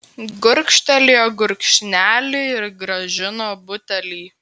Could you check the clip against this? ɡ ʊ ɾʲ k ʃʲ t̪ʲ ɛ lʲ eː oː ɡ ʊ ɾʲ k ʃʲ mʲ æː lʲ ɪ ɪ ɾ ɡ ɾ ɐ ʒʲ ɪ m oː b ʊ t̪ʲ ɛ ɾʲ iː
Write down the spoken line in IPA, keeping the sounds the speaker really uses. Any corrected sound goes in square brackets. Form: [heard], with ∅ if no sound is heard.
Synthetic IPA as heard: ɡ ʊ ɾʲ k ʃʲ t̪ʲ ɛ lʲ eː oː ɡ ʊ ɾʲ k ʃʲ [nʲ] æː lʲ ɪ ɪ ɾ ɡ ɾ ɐ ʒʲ ɪ [n] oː b ʊ t̪ʲ ɛ [lʲ] iː

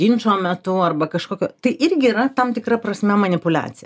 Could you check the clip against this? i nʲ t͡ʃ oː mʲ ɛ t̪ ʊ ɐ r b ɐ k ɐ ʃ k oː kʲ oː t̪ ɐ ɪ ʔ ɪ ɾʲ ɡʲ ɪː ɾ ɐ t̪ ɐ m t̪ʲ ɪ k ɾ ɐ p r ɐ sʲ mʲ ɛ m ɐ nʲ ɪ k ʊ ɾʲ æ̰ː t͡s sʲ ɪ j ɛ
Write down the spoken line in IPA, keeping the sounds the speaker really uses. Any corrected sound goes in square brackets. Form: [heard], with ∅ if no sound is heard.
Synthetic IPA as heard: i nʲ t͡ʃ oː mʲ ɛ t̪ ʊ ɐ r b ɐ k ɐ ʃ k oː kʲ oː t̪ ɐ ɪ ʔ ɪ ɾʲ ɡʲ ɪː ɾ ɐ t̪ ɐ m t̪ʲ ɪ k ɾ ɐ p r ɐ sʲ mʲ ɛ m ɐ nʲ ɪ [p] ʊ [lʲ] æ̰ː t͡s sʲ ɪ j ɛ

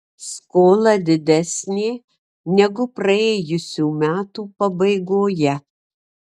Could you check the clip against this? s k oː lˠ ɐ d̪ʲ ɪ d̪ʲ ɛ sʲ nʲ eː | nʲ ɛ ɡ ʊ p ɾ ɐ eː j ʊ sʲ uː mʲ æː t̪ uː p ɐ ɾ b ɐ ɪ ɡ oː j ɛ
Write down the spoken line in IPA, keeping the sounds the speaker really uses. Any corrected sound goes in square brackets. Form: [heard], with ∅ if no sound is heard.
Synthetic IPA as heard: s k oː lˠ ɐ d̪ʲ ɪ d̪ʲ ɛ sʲ nʲ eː | nʲ ɛ ɡ ʊ p ɾ ɐ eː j ʊ sʲ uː mʲ æː t̪ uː p ɐ [∅] b ɐ ɪ ɡ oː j ɛ

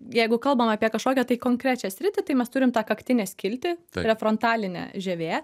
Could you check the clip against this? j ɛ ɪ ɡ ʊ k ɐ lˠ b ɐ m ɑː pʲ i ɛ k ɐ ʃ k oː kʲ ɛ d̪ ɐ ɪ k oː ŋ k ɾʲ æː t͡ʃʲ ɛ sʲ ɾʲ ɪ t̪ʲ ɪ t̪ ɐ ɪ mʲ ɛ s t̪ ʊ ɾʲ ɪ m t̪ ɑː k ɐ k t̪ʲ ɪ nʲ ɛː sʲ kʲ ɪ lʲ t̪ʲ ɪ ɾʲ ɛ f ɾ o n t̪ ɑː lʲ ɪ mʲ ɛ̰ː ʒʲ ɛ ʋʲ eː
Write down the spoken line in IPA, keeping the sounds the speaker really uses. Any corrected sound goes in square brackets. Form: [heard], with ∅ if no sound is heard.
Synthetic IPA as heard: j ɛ ɪ ɡ ʊ k ɐ lˠ b ɐ m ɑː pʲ i ɛ k ɐ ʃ k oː kʲ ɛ [t̪] ɐ ɪ k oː ŋ k ɾʲ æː t͡ʃʲ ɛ sʲ ɾʲ ɪ t̪ʲ ɪ t̪ ɐ ɪ mʲ ɛ s t̪ ʊ ɾʲ ɪ m t̪ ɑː k ɐ k t̪ʲ ɪ nʲ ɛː sʲ kʲ ɪ lʲ t̪ʲ ɪ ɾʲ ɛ f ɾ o n t̪ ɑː lʲ ɪ [nʲ] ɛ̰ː ʒʲ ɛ ʋʲ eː

